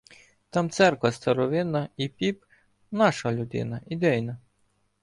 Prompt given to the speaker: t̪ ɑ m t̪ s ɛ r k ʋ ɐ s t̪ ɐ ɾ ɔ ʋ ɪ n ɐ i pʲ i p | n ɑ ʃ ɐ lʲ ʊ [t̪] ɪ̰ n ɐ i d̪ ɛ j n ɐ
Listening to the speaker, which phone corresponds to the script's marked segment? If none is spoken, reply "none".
d̪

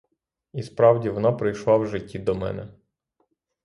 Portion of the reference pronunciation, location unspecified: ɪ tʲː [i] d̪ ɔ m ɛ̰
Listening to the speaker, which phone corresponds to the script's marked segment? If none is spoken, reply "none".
i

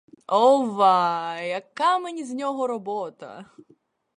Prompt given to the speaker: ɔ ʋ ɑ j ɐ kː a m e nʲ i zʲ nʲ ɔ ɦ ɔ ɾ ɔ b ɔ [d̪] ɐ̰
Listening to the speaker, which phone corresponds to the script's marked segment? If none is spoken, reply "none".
t̪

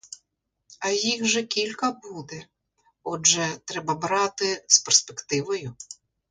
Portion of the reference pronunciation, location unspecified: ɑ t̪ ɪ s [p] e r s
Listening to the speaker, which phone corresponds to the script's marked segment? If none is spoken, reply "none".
p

